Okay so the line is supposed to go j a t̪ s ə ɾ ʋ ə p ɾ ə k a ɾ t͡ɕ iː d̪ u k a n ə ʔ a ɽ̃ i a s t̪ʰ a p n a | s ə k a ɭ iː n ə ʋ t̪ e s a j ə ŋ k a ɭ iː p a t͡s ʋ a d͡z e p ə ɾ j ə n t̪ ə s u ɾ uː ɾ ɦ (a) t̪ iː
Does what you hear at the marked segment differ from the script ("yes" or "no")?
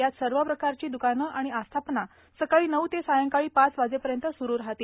no